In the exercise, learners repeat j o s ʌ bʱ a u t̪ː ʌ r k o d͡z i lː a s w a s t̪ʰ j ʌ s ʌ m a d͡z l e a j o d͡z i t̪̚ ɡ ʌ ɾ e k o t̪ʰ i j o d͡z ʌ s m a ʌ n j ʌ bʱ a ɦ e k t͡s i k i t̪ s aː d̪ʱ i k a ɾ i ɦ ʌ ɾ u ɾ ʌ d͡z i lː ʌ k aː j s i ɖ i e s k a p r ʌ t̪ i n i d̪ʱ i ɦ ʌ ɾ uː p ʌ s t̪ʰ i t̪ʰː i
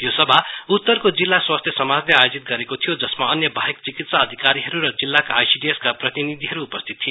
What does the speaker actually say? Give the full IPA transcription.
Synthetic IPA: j o s ʌ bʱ a u t̪ː ʌ r k o d͡z i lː a s w a s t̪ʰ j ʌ s ʌ m a d͡z l e a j o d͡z i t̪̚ ɡ ʌ ɾ e k o t̪ʰ i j o d͡z ʌ s m a ʌ n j ʌ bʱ a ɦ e k t͡s i k i t̪ s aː d̪ʱ i k a ɾ i ɦ ʌ ɾ u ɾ ʌ d͡z i lː a k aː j s i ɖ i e s k a p r ʌ t̪ i n i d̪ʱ i ɦ ʌ ɾ uː p ʌ s t̪ʰ i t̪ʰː i